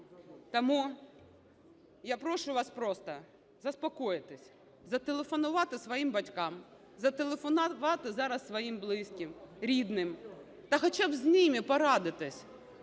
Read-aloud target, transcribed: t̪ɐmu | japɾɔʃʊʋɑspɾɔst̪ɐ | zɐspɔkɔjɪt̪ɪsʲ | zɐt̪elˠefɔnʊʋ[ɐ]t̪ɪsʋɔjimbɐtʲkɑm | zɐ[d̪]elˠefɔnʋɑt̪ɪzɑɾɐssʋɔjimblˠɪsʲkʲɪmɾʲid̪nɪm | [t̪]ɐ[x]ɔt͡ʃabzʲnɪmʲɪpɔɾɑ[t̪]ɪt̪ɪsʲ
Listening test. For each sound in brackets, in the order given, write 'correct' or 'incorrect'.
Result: incorrect: ɑ, incorrect: t̪, correct, correct, incorrect: d̪

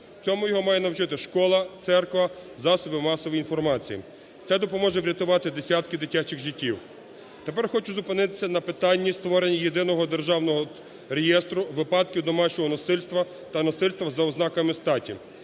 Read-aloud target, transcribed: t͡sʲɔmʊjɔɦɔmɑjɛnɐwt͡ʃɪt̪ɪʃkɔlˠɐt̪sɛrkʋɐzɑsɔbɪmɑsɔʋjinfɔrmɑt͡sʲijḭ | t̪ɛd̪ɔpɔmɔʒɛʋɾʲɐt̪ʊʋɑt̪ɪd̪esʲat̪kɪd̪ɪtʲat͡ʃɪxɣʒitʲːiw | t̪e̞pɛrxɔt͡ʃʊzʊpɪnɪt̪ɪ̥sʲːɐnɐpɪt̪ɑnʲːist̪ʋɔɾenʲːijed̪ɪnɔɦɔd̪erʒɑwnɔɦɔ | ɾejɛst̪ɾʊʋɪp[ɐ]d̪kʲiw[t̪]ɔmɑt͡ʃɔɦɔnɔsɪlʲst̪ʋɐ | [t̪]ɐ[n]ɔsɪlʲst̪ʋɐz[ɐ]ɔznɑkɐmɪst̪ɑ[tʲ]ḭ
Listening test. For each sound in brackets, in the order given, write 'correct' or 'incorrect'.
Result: incorrect: ɑ, incorrect: d̪, correct, correct, correct, correct

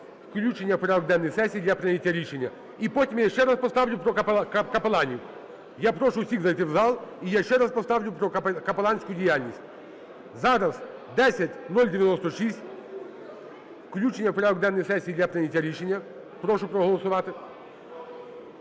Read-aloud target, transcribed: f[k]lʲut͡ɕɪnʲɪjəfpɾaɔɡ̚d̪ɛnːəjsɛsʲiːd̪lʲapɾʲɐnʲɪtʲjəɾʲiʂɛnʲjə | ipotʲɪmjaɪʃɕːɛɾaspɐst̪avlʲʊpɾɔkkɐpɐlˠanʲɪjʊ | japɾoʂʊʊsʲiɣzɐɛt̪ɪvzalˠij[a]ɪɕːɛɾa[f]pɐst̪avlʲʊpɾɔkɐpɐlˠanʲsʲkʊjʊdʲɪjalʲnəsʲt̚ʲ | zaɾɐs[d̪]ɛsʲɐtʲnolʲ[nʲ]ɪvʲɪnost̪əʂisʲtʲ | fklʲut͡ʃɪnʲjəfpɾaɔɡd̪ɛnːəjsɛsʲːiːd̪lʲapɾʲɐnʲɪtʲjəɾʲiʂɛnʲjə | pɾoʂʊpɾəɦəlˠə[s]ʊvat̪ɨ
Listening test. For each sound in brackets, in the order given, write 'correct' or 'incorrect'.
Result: correct, correct, incorrect: s, correct, incorrect: dʲ, correct

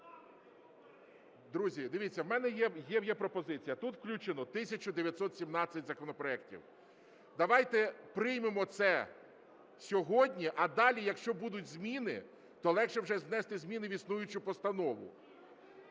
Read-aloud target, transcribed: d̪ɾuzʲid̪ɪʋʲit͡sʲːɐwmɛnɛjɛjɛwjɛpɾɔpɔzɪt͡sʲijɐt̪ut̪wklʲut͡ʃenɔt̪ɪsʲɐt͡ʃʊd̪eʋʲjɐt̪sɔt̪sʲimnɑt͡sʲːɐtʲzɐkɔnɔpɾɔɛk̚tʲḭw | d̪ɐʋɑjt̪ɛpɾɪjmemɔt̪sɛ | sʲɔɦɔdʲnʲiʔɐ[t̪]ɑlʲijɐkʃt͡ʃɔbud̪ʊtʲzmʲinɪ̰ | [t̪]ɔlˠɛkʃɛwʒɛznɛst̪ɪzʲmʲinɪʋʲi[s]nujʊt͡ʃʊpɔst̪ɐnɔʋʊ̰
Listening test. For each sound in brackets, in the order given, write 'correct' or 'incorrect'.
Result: incorrect: d̪, correct, correct

